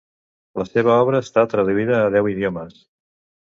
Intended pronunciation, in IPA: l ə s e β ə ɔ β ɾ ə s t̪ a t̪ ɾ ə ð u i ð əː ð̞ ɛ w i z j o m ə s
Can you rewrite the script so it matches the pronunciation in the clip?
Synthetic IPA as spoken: l ə s e β ə ɔ β ɾ əː s t̪ a t̪ ɾ ə ð u i ð əː ð̞ ɛ w i ð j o m ə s